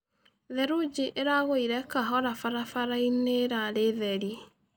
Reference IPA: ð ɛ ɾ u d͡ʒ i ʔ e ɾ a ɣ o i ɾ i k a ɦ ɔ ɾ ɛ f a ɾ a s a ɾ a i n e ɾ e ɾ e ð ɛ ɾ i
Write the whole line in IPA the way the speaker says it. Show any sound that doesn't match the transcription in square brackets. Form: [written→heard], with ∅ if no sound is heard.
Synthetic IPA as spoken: ð ɛ ɾ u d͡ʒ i ʔ e ɾ a ɣ o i ɾ [i→ɛ] k a ɦ ɔ ɾ [ɛ→a] f a ɾ a [s→f] a ɾ a i n e ɾ [e→a] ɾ e ð ɛ ɾ i